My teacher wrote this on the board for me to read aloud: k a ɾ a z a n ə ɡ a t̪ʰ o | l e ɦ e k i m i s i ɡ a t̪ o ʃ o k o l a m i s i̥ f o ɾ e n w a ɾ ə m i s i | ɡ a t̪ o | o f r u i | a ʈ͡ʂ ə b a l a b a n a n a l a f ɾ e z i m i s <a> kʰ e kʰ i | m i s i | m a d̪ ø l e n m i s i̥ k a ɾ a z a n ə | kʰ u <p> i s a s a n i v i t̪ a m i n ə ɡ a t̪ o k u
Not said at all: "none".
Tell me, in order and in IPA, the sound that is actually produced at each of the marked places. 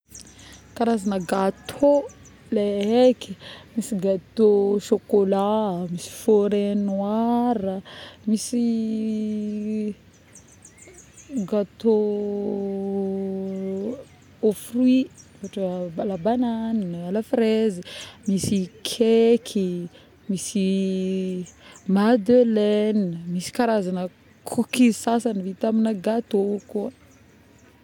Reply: i, k

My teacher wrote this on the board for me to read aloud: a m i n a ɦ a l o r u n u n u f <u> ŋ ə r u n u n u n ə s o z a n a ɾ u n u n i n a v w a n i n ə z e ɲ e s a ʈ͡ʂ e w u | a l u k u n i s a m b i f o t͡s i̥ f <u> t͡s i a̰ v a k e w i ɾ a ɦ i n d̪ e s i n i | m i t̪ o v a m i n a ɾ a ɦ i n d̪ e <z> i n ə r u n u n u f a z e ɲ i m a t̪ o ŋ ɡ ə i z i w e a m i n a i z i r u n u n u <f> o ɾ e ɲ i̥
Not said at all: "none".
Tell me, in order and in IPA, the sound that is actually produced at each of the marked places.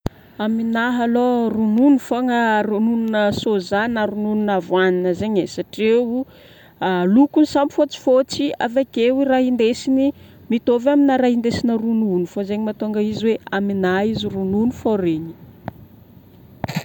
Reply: o, o, s, f

